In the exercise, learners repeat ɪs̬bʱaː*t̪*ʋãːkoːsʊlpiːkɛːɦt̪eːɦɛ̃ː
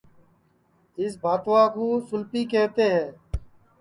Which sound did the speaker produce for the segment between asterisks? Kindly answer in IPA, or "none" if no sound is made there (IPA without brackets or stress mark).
t̪